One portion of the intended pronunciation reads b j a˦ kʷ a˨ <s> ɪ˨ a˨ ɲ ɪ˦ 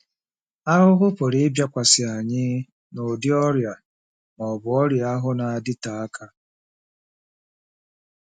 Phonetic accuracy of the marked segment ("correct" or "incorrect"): correct